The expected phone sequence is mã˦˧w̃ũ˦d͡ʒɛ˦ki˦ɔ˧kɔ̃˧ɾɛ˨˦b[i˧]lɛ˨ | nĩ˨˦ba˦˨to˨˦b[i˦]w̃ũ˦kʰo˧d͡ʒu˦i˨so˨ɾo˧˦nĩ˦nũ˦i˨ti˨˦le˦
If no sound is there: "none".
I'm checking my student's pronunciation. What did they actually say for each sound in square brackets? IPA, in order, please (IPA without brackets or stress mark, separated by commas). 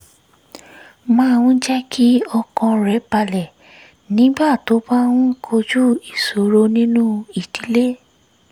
a˧, a˦